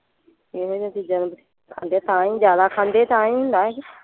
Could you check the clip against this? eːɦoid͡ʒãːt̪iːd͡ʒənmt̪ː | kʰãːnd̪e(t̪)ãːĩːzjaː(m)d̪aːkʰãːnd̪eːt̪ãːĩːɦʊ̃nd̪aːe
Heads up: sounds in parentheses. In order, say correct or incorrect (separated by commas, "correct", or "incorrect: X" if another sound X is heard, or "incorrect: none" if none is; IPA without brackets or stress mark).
correct, incorrect: none